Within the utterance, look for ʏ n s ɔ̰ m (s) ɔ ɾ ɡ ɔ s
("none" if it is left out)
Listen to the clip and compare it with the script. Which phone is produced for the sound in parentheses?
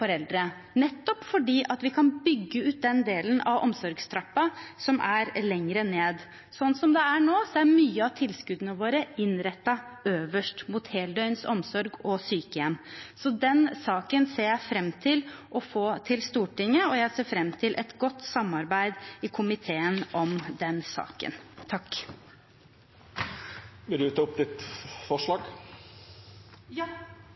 s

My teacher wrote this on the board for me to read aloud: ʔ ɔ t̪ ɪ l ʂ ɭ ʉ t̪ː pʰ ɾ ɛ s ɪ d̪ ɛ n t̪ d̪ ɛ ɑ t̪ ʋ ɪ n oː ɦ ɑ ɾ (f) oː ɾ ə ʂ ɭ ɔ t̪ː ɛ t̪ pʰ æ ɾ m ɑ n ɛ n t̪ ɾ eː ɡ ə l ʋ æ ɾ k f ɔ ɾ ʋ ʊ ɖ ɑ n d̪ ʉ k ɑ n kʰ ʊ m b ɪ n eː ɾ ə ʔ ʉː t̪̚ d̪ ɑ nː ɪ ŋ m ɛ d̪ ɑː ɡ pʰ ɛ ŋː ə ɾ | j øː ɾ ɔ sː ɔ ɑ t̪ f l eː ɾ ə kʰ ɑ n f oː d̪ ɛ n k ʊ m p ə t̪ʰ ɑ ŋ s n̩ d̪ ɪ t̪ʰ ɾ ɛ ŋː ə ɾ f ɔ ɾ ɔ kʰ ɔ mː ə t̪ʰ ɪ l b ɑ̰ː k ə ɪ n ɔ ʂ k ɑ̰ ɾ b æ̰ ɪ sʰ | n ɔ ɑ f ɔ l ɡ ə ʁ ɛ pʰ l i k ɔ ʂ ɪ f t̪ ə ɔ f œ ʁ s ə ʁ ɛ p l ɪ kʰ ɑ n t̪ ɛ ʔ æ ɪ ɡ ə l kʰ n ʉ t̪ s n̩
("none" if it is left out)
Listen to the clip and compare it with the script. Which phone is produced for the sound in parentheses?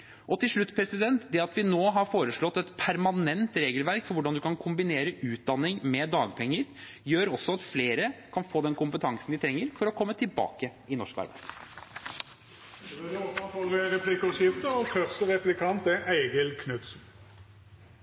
f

